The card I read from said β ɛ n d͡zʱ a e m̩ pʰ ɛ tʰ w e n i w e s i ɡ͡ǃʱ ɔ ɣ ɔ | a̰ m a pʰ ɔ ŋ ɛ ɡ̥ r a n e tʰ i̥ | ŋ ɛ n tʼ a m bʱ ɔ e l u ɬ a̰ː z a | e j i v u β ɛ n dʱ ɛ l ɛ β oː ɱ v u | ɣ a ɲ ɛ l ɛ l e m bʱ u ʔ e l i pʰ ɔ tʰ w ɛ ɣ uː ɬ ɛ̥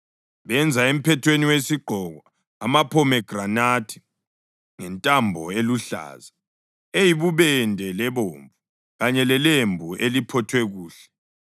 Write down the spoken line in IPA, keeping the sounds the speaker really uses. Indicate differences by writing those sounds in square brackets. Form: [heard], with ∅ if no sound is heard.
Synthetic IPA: β ɛ n d͡zʱ a e m̩ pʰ ɛ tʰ w e n i w e s i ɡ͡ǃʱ ɔ ɣ ɔ | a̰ m a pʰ ɔ [m] ɛ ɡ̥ r a n [a] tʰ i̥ | ŋ ɛ n tʼ a m bʱ ɔ e l u ɬ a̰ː z a | e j i [β] u β ɛ n dʱ ɛ l ɛ β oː ɱ v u | ɣ a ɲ ɛ l ɛ l e m bʱ u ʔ e l i pʰ ɔ tʰ w ɛ ɣ uː ɬ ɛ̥